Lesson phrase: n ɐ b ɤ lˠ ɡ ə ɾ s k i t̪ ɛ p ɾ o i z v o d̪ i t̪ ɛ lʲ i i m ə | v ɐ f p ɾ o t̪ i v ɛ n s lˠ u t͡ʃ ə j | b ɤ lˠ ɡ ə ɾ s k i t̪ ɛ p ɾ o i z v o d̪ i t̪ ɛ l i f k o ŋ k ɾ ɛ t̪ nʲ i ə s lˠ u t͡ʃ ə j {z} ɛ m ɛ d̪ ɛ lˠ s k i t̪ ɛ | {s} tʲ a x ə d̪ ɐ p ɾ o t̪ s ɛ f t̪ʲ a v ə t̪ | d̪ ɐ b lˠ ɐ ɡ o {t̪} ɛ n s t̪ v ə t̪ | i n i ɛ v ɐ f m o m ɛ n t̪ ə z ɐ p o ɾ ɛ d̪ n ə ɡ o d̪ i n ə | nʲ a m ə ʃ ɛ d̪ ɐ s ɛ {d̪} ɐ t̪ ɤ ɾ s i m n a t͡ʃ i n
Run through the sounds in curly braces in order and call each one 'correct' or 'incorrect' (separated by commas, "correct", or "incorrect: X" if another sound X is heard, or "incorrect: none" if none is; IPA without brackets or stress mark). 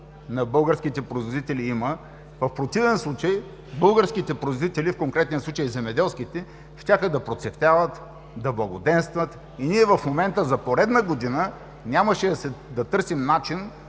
correct, incorrect: ʃ, incorrect: d̪, correct